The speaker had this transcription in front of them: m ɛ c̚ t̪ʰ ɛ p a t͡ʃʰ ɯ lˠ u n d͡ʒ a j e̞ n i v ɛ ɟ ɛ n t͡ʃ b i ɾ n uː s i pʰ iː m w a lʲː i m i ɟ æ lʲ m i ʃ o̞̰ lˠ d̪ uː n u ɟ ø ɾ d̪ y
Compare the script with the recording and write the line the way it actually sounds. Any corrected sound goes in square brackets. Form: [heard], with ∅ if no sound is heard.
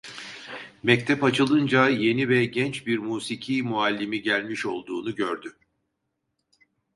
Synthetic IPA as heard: m ɛ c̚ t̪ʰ ɛ p a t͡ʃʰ ɯ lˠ [ɯ] n d͡ʒ a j e̞ n i v ɛ ɟ ɛ n t͡ʃ b i ɾ [m] uː s i [cʰ] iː m [u] a lʲː i m i ɟ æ lʲ m i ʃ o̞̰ lˠ d̪ uː n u ɟ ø ɾ d̪ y

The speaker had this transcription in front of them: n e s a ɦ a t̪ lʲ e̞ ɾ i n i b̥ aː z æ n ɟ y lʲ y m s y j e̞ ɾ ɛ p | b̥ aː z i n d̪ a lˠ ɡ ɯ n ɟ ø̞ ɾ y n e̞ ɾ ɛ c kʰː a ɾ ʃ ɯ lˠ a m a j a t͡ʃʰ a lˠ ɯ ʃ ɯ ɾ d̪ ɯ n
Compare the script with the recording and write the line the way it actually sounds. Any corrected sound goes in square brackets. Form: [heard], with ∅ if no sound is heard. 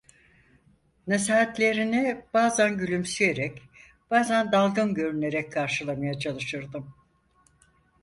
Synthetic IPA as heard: n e s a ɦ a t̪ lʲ e̞ ɾ i n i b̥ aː z æ n ɟ y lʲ y m s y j e̞ ɾ ɛ [c] | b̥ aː z [æ] n d̪ a lˠ ɡ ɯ n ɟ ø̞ ɾ y n e̞ ɾ ɛ c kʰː a ɾ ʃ ɯ lˠ a m a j a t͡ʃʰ a lˠ ɯ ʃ ɯ ɾ d̪ ɯ [m]

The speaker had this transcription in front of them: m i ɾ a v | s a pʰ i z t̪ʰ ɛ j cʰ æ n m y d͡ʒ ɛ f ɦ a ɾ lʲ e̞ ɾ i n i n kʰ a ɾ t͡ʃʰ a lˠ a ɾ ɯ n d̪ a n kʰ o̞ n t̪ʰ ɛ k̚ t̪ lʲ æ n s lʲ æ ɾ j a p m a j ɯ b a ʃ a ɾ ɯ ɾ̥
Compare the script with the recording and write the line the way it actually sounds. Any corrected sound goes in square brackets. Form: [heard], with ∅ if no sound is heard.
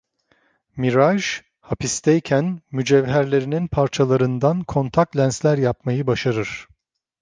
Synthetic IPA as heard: m i ɾ a [ʒ] | [h] a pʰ i [s] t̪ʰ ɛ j cʰ æ n m y d͡ʒ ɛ [v] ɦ [æ] ɾ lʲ e̞ ɾ i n i n [pʰ] a ɾ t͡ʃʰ a lˠ a ɾ ɯ n d̪ a n kʰ o̞ n t̪ʰ [a] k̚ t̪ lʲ æ n s lʲ æ ɾ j a p m a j ɯ b a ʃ a ɾ ɯ ɾ̥

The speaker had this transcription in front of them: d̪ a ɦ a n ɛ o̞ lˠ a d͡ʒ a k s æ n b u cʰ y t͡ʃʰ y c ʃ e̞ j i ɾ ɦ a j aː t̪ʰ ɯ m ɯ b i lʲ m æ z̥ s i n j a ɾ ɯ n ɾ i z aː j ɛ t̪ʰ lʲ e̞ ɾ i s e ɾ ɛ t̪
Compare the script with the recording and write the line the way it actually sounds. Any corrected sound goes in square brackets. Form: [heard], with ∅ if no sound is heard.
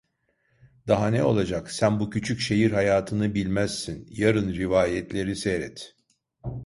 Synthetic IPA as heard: d̪ a ɦ a n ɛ o̞ lˠ a d͡ʒ a k s æ n b u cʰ y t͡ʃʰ y c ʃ e̞ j i ɾ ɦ a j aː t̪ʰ ɯ [n] ɯ b i lʲ m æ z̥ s i n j a ɾ ɯ n ɾ i [v] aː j ɛ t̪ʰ lʲ e̞ ɾ i s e ɾ ɛ t̪

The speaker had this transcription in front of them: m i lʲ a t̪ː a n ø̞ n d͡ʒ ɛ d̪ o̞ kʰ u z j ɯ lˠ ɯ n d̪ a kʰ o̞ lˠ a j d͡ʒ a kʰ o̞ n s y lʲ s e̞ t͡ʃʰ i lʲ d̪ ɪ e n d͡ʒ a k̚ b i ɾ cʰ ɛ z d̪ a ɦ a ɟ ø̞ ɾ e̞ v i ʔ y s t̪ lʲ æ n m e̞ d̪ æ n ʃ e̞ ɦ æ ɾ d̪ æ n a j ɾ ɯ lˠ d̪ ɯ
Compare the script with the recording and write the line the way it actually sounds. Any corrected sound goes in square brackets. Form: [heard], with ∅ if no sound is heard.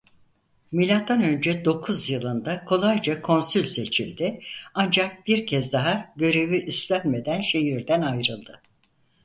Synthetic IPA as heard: m i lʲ a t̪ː a n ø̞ n d͡ʒ ɛ d̪ o̞ kʰ u z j ɯ lˠ ɯ n d̪ a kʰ o̞ lˠ a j d͡ʒ a kʰ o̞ n s y lʲ s e̞ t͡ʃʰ i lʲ d̪ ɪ [a] n d͡ʒ a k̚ b i ɾ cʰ ɛ z d̪ a ɦ a ɟ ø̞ ɾ e̞ v i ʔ y s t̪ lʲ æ n m e̞ d̪ æ n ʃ e̞ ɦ [i] ɾ d̪ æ n a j ɾ ɯ lˠ d̪ ɯ

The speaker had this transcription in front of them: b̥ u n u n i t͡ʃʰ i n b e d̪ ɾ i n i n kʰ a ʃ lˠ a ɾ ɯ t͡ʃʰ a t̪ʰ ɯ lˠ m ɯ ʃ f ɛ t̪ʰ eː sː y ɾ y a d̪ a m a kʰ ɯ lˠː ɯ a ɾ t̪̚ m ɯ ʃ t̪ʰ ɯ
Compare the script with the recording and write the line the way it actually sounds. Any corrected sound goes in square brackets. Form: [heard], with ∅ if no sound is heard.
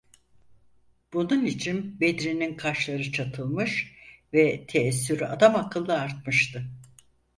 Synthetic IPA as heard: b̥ u n u n i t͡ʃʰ i n b e d̪ ɾ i n i n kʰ a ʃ lˠ a ɾ ɯ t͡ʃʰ a t̪ʰ ɯ lˠ m ɯ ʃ [v] ɛ t̪ʰ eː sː y ɾ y a d̪ a m a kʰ ɯ lˠː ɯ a ɾ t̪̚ m ɯ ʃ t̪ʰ ɯ

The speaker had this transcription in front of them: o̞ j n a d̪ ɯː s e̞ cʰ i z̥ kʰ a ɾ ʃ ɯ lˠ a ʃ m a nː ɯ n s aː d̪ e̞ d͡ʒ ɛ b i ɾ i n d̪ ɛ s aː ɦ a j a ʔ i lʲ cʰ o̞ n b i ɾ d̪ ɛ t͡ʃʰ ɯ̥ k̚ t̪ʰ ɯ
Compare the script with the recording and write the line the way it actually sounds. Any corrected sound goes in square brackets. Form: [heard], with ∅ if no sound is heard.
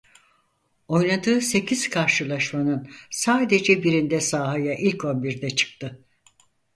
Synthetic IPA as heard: o̞ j n a d̪ ɯː s e̞ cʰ i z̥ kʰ a ɾ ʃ ɯ lˠ a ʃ m a [n] ɯ n s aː d̪ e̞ d͡ʒ ɛ b i ɾ i n d̪ ɛ s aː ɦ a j a ʔ i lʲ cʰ o̞ n b i ɾ d̪ ɛ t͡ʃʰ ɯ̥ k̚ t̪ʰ ɯ

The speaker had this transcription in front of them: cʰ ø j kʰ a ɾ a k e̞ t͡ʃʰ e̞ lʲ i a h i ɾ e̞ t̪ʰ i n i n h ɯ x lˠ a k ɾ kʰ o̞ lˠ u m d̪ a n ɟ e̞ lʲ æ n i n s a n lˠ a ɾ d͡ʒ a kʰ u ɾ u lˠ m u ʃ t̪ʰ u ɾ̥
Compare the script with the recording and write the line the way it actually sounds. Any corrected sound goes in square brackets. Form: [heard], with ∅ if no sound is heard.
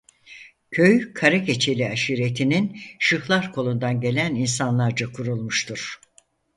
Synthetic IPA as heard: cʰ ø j kʰ a ɾ a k e̞ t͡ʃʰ e̞ lʲ i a [ʃ] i ɾ e̞ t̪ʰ i n i n [ʃ] ɯ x lˠ a [∅] ɾ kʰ o̞ lˠ u [n] d̪ a n ɟ e̞ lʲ æ n i n s a n lˠ a ɾ d͡ʒ a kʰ u ɾ u lˠ m u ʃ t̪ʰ u ɾ̥

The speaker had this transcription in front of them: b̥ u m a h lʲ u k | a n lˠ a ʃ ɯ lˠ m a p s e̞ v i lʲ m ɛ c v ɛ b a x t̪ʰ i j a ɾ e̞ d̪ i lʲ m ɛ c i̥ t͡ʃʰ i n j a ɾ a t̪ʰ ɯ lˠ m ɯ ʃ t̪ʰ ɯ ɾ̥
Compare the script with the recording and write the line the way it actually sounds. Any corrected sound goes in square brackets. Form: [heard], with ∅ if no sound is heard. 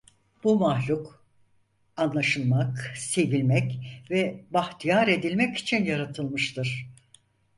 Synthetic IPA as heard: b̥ u m a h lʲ u k | a n lˠ a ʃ ɯ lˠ m a [k] s e̞ v i lʲ m ɛ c v ɛ b a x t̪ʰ i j a ɾ e̞ d̪ i lʲ m ɛ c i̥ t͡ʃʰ i n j a ɾ a t̪ʰ ɯ lˠ m ɯ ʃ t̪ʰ ɯ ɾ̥

